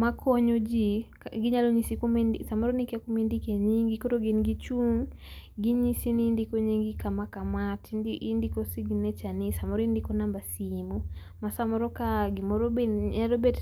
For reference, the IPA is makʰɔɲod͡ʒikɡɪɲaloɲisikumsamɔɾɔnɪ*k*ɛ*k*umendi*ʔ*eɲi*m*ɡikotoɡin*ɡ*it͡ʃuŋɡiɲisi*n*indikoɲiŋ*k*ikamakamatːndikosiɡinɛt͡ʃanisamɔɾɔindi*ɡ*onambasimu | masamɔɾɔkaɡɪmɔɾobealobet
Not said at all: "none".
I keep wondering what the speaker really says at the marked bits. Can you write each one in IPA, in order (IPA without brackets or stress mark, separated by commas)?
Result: k, k, k, ŋ, ɡ, n, ɡ, k